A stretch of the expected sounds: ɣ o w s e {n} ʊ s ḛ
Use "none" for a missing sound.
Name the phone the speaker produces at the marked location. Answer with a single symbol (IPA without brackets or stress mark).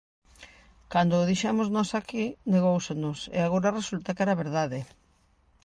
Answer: n